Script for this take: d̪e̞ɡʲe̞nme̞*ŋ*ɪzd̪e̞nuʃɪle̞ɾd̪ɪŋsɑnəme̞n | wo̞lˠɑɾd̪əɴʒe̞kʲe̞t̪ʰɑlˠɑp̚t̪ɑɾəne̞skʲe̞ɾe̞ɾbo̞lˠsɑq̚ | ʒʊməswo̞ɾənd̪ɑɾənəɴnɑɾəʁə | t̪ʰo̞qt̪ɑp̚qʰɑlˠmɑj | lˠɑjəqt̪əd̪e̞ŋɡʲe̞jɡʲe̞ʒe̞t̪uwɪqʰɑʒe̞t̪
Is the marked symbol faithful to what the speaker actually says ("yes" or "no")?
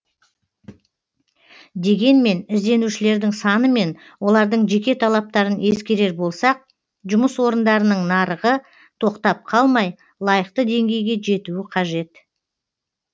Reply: no